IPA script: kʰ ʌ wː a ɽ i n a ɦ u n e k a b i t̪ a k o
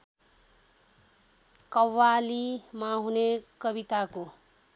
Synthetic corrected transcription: k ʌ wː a l i m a ɦ u n e k ʌ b i t̪ a k o